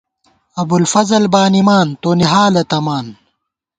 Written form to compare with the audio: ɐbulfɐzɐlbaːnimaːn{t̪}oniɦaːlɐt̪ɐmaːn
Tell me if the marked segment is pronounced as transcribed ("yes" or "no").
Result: yes